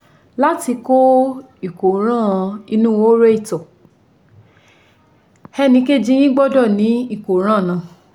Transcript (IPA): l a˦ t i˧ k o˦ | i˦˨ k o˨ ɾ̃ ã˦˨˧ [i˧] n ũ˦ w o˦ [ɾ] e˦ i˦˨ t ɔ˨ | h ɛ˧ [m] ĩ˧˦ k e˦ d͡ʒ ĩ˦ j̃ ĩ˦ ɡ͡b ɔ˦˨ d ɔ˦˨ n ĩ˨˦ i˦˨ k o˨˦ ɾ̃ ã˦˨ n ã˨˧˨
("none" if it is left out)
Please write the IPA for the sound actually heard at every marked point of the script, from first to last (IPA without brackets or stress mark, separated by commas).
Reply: i˧, ɾ, n